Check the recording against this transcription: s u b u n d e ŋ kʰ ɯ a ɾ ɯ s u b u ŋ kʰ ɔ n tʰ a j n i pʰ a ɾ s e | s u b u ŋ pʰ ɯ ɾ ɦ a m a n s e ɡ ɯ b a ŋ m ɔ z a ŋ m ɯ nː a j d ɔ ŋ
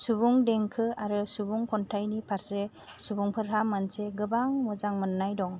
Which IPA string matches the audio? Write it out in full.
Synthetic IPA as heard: s u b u ŋ d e ŋ kʰ ɯ a ɾ ɯ s u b u ŋ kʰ ɔ n tʰ a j n i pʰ a ɾ s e | s u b u ŋ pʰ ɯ ɾ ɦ a m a n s e ɡ ɯ b a ŋ m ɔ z a ŋ m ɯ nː a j d ɔ ŋ